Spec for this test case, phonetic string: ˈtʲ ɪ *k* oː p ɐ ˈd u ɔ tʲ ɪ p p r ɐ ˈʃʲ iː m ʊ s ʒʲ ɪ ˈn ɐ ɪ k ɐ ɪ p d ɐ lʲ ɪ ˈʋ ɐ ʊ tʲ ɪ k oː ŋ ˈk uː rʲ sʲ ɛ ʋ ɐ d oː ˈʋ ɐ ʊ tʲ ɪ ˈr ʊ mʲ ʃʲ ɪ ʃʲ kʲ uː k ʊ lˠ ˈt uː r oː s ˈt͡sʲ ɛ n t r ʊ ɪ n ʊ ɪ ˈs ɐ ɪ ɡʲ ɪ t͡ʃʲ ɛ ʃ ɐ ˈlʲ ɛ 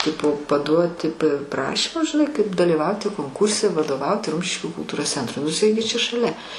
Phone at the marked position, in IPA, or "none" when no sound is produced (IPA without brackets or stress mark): p